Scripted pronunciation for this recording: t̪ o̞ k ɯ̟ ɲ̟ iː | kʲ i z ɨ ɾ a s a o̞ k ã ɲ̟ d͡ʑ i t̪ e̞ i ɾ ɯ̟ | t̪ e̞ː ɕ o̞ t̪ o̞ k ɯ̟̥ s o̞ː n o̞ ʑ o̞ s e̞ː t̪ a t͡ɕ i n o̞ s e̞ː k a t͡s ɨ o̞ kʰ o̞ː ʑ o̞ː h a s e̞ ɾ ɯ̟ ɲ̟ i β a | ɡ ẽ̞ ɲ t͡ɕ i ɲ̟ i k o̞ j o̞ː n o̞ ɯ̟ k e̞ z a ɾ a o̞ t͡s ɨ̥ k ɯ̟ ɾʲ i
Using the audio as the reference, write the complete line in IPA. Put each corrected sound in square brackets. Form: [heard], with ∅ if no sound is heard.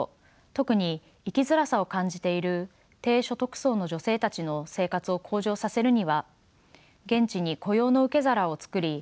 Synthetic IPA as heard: t̪ o̞ k ɯ̟ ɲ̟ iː | kʲ i z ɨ ɾ a s a o̞ k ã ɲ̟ d͡ʑ i t̪ e̞ i ɾ ɯ̟ | t̪ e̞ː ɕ o̞ t̪ o̞ k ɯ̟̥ s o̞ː n o̞ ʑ o̞ s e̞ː t̪ a t͡ɕ i n o̞ s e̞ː k a t͡s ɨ o̞ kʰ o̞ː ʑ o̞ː [s] a s e̞ ɾ ɯ̟ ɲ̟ i β a | ɡ ẽ̞ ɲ t͡ɕ i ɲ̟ i k o̞ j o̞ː n o̞ ɯ̟ k e̞ z a ɾ a o̞ t͡s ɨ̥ k ɯ̟ ɾʲ i